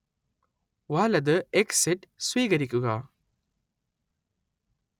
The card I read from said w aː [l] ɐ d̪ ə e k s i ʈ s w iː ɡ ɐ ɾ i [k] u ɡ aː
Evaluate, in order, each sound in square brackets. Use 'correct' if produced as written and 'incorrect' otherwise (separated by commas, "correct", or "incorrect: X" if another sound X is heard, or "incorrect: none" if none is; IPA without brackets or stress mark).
correct, correct